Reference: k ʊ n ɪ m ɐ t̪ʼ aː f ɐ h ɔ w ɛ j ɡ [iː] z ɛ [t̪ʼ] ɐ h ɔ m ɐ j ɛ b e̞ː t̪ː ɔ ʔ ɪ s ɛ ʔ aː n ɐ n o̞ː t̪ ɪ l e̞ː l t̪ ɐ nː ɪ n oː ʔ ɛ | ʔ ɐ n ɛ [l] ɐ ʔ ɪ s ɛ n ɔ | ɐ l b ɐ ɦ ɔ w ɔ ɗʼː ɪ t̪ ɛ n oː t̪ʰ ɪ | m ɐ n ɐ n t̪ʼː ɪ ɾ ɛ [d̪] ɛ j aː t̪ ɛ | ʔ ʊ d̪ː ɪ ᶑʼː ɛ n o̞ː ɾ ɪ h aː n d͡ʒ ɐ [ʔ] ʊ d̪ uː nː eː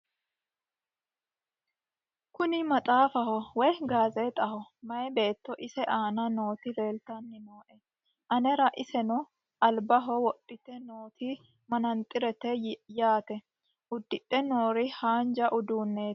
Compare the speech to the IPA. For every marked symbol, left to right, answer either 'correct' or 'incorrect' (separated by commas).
incorrect, correct, incorrect, incorrect, correct